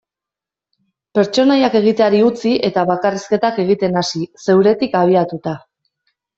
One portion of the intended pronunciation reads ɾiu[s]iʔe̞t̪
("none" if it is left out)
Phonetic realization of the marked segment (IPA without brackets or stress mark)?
t͡s